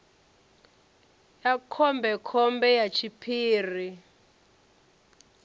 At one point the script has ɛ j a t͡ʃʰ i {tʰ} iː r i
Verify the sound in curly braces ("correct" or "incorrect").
incorrect